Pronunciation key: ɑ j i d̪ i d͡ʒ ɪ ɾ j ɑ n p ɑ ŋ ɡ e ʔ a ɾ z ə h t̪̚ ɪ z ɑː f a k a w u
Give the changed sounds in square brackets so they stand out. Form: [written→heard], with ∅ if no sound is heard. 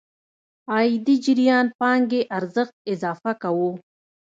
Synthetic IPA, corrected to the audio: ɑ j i d̪ i d͡ʒ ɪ ɾ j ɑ n p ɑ ŋ ɡ e ʔ a ɾ z ə [h→x] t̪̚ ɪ z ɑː f a k a w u